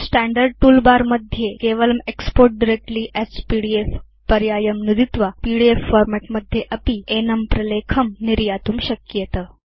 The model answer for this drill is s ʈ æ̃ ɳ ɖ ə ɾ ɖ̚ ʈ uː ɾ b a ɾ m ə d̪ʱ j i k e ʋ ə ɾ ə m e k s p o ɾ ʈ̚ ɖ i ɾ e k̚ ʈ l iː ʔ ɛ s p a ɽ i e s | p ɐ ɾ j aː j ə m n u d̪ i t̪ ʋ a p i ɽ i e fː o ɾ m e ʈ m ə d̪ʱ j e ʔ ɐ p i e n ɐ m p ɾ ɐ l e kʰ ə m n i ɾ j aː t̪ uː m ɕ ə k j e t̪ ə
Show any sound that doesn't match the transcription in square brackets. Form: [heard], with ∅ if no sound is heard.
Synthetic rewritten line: s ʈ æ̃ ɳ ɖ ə ɾ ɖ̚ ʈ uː [l] b a ɾ m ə d̪ʱ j [e] k e ʋ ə [l] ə m e k s p o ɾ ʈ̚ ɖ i ɾ e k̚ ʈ l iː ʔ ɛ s p [i] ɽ i e [f] | p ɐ ɾ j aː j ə m n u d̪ i t̪ ʋ a p i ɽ i e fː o ɾ m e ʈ m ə d̪ʱ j e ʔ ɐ p i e n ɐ m p ɾ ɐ l e kʰ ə m n i ɾ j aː t̪ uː m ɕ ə k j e t̪ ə

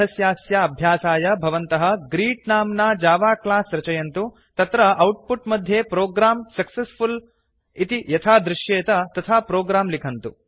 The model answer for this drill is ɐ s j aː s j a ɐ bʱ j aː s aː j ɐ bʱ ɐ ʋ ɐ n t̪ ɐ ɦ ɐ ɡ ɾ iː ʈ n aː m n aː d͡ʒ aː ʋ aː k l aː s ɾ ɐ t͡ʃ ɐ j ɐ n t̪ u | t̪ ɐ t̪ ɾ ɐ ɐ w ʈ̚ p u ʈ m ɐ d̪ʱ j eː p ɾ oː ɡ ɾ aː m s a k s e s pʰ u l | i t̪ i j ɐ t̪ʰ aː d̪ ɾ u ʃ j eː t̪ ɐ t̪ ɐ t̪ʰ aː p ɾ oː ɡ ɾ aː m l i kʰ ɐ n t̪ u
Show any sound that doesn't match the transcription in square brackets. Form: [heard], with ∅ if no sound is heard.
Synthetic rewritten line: ɐ s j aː s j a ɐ bʱ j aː s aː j ɐ bʱ ɐ ʋ ɐ n t̪ ɐ ɦ ɐ ɡ ɾ iː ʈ n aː m n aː d͡ʒ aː ʋ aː k l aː s ɾ ɐ t͡ʃ ɐ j ɐ n t̪ u | t̪ ɐ t̪ ɾ ɐ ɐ w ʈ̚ p u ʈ m ɐ d̪ʱ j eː p ɾ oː ɡ ɾ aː m s [ɐ] k s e s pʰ u l | i t̪ i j ɐ t̪ʰ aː d̪ ɾ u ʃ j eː t̪ ɐ t̪ ɐ t̪ʰ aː p ɾ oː ɡ ɾ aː m l i kʰ ɐ n t̪ u

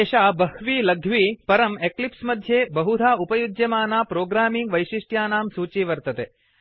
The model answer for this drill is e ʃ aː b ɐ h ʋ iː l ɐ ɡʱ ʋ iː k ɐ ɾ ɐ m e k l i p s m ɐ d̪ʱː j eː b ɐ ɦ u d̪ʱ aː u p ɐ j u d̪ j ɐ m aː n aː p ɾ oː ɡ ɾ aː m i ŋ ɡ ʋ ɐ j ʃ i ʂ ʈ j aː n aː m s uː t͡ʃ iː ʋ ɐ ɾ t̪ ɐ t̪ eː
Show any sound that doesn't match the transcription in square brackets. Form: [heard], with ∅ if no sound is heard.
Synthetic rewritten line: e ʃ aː b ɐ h ʋ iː l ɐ ɡʱ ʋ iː [p] ɐ ɾ ɐ m e k l i p s m ɐ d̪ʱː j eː b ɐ ɦ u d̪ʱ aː u p ɐ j u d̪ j ɐ m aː n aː p ɾ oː ɡ ɾ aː m i ŋ ɡ ʋ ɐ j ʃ i ʂ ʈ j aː n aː m s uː t͡ʃ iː ʋ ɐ ɾ t̪ ɐ t̪ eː

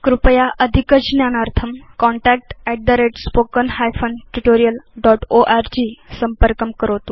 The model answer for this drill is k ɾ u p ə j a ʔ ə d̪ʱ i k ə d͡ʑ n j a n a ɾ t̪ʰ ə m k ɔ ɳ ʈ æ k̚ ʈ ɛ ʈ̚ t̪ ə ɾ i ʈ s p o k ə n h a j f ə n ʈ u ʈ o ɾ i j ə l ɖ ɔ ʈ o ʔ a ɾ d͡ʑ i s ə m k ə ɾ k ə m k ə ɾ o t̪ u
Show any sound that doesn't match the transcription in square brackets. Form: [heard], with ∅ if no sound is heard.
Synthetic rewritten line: k ɾ u p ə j a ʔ ə d̪ʱ i k ə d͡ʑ n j a n a ɾ t̪ʰ ə m k ɔ ɳ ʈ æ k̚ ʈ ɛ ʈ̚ [d̪] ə ɾ [e] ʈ s p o k ə n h a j f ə n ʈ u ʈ o ɾ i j ə l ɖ ɔ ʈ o ʔ a ɾ d͡ʑ i s ə m [p] ə ɾ k ə m k ə ɾ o t̪ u

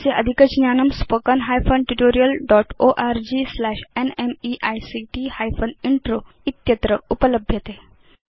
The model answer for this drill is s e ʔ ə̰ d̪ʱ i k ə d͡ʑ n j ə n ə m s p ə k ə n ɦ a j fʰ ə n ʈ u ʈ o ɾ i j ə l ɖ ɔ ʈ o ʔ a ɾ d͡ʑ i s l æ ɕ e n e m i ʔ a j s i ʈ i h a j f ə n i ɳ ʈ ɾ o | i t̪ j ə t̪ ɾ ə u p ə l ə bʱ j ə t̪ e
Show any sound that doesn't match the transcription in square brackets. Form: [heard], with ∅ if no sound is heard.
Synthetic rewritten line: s e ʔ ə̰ d̪ʱ i k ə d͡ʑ n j [a] n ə m s p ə k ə n ɦ a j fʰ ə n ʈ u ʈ o ɾ i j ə l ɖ ɔ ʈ o ʔ a ɾ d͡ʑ i s l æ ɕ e n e m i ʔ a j s i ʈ i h a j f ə n i ɳ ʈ ɾ o | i t̪ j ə t̪ ɾ ə u p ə l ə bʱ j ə t̪ e

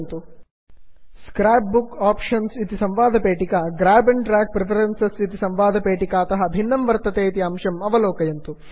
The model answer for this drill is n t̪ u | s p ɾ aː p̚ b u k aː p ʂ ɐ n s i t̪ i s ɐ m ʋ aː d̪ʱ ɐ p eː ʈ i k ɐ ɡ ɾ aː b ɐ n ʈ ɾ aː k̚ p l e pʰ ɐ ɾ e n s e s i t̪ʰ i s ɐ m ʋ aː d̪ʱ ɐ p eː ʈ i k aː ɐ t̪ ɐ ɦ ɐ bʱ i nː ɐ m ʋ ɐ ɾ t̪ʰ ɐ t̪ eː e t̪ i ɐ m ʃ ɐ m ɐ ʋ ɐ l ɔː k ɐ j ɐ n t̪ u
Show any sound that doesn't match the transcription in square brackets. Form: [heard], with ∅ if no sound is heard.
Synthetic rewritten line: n t̪ u | s [k] ɾ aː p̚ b u k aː p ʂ ɐ n s i t̪ i s ɐ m ʋ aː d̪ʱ ɐ p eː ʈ i k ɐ ɡ ɾ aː b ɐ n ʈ ɾ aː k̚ p [ɾ] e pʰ ɐ ɾ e n s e s i [t̪] i s ɐ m ʋ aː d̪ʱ ɐ p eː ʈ i k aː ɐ t̪ ɐ ɦ ɐ bʱ i nː ɐ m ʋ ɐ ɾ [t̪] ɐ t̪ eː [i] t̪ i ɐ m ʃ ɐ m ɐ ʋ ɐ l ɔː k ɐ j ɐ n t̪ u

